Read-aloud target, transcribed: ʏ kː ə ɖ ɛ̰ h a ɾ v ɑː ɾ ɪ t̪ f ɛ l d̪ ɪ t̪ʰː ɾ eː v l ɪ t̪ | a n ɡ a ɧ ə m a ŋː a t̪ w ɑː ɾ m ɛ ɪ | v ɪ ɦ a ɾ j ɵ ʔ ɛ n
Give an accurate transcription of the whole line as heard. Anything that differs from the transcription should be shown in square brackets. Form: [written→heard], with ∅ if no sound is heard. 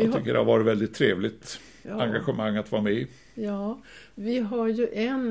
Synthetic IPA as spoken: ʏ kː ə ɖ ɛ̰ h a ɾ v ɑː ɾ ɪ t̪ [f→v] ɛ l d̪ ɪ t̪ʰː ɾ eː v l ɪ t̪ | a [n→ŋ] ɡ a ɧ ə m a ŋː a t̪ [w→v] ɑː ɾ m ɛ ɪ | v ɪ ɦ a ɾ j ɵ ʔ ɛ n